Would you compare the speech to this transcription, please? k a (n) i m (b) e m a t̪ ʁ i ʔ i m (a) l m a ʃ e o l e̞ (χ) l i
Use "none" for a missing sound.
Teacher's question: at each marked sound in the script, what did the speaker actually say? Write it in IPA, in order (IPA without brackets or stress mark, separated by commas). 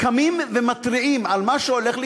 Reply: m, v, a, χ